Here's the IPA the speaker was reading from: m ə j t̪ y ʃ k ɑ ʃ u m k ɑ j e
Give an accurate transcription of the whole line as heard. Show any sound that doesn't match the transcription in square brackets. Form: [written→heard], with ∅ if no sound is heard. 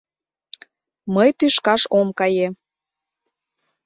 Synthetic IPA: m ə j t̪ y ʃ k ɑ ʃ [u→o] m k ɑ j e